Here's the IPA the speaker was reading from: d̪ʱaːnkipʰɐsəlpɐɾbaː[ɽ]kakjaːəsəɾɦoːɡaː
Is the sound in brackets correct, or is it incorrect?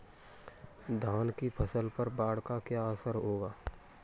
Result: correct